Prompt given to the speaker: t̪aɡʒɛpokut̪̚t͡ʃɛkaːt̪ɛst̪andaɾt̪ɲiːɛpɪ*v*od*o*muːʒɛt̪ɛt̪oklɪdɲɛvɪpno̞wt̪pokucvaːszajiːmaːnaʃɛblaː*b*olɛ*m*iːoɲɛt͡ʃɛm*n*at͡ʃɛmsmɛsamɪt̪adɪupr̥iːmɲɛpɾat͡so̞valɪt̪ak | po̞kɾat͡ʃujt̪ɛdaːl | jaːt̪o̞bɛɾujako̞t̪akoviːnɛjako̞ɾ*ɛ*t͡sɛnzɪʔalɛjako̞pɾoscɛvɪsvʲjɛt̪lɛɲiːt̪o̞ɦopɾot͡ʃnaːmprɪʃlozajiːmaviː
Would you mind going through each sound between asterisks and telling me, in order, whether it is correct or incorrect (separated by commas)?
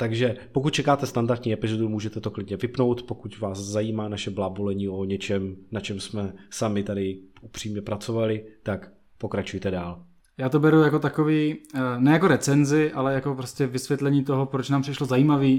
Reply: incorrect, incorrect, correct, incorrect, correct, correct